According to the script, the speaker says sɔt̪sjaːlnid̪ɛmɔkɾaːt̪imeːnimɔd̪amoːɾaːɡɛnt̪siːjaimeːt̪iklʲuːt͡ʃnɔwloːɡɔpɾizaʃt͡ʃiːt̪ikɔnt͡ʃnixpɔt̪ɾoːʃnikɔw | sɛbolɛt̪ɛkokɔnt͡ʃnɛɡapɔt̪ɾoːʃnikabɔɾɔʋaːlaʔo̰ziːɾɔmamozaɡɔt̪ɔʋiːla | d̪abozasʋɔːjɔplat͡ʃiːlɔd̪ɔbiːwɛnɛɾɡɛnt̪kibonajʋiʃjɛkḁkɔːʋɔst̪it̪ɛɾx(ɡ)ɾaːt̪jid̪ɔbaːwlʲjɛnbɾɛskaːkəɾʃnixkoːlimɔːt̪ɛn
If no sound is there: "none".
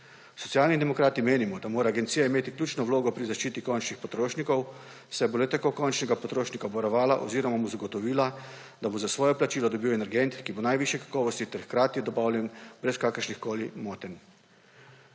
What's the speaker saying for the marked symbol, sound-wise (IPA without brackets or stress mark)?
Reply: k